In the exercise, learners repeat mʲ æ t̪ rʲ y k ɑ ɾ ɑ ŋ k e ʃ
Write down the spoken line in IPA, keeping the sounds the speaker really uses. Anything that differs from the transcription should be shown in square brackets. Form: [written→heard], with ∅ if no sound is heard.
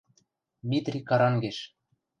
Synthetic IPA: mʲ [æ→i] t̪ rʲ [y→i] k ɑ ɾ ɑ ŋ [k→ɡ] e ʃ